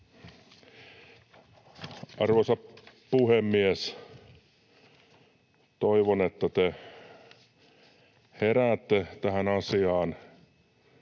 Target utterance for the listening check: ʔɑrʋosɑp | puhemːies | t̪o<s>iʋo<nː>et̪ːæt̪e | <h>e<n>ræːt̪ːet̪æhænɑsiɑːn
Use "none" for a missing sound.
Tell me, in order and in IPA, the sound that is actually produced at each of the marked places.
none, n, h, none

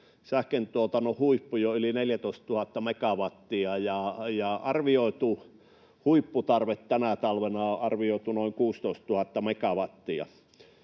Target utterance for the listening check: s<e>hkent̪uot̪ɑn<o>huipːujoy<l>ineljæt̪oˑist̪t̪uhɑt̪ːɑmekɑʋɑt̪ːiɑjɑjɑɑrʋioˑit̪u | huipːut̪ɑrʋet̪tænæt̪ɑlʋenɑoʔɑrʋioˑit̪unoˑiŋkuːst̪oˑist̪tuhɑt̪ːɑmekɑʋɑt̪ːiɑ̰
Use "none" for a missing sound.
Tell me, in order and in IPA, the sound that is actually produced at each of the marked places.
æ, o, l

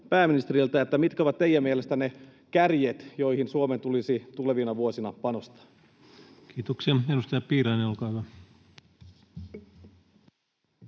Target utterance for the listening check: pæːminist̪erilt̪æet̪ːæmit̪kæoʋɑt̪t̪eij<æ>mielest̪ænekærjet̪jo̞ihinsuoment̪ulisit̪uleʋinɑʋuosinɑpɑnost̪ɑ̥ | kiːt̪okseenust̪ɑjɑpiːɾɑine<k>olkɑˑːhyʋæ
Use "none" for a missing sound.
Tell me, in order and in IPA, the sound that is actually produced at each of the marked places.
æ, none

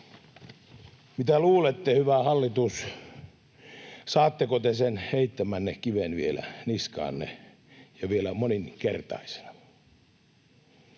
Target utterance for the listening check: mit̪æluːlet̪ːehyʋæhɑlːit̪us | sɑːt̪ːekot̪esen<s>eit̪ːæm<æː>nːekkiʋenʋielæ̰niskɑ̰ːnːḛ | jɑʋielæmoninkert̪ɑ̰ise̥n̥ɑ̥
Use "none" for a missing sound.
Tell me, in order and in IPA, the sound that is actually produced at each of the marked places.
h, æ

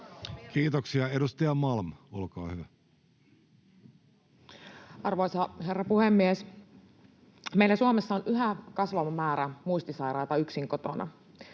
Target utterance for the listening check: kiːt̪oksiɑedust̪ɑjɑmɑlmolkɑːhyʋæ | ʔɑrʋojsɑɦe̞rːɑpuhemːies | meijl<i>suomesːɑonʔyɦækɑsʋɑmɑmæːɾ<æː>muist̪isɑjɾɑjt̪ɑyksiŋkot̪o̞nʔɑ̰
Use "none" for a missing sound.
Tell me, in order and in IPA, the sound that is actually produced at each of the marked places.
æ, æ

